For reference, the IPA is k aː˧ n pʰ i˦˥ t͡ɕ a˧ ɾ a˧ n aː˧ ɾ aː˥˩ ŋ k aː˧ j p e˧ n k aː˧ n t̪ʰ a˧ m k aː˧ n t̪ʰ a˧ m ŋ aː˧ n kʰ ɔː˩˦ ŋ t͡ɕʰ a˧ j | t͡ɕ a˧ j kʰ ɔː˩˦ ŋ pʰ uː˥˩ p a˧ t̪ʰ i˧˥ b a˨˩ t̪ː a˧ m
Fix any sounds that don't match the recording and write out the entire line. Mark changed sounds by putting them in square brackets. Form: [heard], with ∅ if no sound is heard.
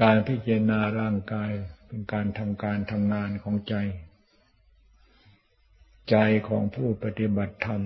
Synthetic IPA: k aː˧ n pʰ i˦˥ t͡ɕ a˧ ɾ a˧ n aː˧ ɾ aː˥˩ ŋ k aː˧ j p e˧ n k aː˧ n t̪ʰ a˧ m k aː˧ n t̪ʰ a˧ m ŋ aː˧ n kʰ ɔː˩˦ ŋ [t͡ɕ] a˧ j | t͡ɕ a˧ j kʰ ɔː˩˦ ŋ pʰ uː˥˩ p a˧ [t̪] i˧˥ b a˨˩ [t̪ʰː] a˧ m